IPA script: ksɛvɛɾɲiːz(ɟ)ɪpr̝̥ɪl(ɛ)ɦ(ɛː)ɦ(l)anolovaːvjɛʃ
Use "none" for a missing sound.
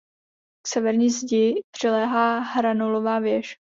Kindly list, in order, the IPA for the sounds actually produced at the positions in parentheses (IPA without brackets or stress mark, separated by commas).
ɟ, ɛː, aː, ɾ